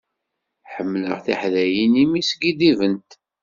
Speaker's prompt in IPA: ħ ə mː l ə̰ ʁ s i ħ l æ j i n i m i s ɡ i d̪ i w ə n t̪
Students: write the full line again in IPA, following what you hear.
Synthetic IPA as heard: ħ ə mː l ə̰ ʁ θ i ħ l æ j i n i m i s ɡ i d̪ i v ə n t̪